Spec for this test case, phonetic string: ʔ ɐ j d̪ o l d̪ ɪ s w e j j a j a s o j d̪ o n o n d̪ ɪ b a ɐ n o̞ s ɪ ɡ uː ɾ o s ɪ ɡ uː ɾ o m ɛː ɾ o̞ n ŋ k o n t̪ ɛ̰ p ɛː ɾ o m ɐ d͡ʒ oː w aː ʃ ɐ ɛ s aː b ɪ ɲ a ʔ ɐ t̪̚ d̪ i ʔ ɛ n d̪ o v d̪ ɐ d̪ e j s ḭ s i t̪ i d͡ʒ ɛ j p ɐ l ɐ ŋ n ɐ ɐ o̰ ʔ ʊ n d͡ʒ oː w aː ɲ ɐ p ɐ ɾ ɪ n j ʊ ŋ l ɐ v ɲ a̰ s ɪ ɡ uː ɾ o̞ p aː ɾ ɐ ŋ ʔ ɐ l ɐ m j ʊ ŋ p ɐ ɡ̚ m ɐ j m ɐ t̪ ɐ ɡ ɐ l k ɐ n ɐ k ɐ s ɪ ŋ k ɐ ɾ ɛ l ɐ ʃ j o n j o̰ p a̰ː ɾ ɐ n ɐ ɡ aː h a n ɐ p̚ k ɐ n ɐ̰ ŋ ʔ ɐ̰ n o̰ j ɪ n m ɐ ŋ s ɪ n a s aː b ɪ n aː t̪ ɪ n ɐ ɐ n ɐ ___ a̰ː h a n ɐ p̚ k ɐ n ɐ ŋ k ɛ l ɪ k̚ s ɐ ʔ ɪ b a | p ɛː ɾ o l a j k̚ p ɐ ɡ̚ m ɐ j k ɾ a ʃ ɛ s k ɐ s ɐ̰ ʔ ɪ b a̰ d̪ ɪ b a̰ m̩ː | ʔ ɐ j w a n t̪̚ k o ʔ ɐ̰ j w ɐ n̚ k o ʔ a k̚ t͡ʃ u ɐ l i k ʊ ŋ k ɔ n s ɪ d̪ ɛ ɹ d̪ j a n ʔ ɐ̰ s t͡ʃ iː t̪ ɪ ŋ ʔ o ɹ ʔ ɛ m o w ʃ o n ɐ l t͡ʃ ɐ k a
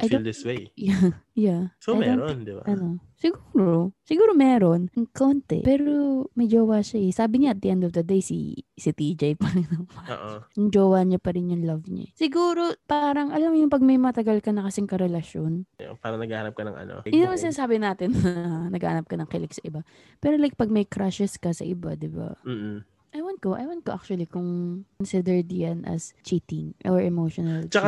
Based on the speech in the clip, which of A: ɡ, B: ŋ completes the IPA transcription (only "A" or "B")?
A